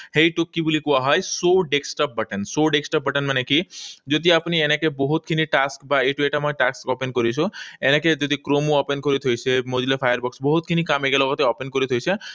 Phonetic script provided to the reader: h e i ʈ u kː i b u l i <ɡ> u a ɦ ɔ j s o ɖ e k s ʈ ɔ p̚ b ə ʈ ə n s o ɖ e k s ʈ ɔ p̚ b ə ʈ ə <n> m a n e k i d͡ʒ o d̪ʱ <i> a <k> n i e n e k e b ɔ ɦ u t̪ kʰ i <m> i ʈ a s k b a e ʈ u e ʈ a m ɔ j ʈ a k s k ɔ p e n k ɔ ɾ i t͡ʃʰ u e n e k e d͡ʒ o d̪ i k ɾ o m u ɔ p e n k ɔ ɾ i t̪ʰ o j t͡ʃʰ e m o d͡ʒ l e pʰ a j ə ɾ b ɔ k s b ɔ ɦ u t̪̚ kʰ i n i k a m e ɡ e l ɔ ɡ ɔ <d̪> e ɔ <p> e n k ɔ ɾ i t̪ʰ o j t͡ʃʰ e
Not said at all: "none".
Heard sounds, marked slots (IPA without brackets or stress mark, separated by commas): k, n, i, p, n, t̪, p